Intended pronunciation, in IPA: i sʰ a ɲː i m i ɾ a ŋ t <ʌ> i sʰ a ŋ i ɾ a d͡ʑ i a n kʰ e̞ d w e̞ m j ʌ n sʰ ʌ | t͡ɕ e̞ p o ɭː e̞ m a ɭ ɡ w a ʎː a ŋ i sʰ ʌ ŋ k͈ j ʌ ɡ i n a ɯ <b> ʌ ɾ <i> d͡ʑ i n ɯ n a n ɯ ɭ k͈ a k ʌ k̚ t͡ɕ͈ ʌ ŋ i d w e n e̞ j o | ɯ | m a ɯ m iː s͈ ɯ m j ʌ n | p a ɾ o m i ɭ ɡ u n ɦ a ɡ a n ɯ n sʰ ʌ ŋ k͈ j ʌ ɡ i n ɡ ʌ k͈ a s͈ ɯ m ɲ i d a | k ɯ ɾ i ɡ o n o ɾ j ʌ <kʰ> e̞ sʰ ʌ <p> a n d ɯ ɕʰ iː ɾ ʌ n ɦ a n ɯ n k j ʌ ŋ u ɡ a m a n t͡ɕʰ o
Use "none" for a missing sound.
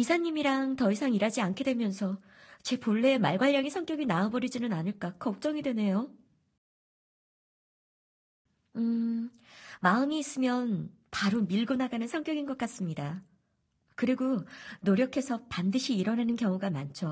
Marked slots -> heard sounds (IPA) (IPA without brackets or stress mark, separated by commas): ʌ, b, i, kʰ, p